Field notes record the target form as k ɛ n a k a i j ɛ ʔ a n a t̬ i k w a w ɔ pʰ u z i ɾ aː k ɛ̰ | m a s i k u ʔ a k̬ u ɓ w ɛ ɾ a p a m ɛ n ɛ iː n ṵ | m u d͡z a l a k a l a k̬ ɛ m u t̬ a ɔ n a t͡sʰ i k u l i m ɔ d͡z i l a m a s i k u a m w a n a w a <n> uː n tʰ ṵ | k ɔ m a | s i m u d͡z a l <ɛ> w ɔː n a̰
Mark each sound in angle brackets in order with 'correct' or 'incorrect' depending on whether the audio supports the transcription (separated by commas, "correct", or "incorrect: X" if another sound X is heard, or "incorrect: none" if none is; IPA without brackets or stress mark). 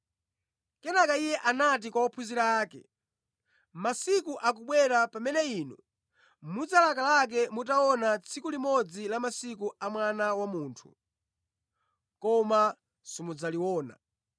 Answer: incorrect: m, incorrect: i